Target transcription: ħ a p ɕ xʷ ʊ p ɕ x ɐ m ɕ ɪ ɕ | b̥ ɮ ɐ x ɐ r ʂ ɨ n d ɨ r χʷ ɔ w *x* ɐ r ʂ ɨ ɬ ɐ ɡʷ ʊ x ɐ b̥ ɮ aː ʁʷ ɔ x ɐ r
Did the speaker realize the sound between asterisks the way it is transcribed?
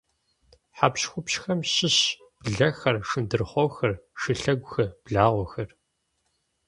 yes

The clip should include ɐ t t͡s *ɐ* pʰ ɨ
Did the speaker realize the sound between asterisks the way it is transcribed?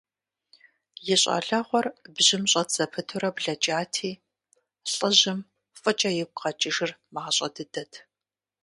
yes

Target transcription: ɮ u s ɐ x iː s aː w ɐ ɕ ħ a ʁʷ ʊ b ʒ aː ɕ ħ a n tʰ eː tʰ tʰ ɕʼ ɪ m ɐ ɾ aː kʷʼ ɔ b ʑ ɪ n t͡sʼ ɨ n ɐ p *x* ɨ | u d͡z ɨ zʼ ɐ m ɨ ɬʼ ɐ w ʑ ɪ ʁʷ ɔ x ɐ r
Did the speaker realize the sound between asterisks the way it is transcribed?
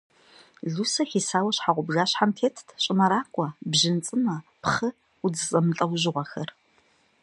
no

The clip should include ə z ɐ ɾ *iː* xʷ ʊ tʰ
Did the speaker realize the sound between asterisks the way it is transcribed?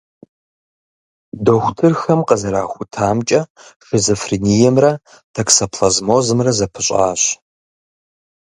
no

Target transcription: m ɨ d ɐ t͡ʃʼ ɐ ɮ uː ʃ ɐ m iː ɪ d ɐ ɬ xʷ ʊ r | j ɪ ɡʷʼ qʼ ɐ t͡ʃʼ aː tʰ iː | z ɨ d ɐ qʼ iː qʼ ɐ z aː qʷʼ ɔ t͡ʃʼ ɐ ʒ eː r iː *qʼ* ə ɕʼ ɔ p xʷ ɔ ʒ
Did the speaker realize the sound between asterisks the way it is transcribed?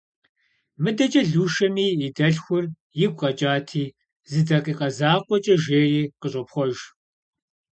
no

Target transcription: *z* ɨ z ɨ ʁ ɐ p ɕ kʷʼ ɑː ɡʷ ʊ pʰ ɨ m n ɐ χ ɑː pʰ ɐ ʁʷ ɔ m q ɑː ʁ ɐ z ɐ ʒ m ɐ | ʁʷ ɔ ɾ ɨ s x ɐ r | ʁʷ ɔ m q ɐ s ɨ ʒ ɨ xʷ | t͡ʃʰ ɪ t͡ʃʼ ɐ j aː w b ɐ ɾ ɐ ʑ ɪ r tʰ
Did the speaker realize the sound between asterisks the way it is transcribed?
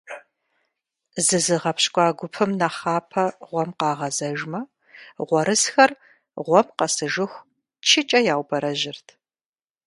yes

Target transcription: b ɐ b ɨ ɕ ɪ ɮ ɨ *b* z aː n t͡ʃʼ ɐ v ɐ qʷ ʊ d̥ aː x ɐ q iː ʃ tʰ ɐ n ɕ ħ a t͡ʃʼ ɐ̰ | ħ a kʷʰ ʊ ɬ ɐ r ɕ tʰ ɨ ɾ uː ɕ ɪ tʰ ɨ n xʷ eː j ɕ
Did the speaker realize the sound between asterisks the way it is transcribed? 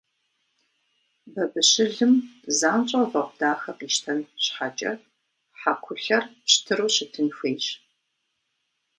no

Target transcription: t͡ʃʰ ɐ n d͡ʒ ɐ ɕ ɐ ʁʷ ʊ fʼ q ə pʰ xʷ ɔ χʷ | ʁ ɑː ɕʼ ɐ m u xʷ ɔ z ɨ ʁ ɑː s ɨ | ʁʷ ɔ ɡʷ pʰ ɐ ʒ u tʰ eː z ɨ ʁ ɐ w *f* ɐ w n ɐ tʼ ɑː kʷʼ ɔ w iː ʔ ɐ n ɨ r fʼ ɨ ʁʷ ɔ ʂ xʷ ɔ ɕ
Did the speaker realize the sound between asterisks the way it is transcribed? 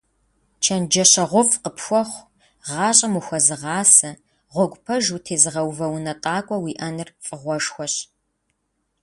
no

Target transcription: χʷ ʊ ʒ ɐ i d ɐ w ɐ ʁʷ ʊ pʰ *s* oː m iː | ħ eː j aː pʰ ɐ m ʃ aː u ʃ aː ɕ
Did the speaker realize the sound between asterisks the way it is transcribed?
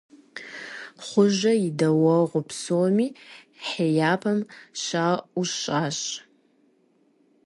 yes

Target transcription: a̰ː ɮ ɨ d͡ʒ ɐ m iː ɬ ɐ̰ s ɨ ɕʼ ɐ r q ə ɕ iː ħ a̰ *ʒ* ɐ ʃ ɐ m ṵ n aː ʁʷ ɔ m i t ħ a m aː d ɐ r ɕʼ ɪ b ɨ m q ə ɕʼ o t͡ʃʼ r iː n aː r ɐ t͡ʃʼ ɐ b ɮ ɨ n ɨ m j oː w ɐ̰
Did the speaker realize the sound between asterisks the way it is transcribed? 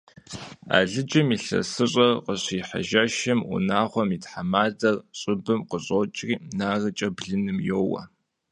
yes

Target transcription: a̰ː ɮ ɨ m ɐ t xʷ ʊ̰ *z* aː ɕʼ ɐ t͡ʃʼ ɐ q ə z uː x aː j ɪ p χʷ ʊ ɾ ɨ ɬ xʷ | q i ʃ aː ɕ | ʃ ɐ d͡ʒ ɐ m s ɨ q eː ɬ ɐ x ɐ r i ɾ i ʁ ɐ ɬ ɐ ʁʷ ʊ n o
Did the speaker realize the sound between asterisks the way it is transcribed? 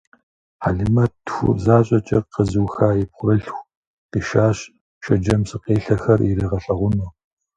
yes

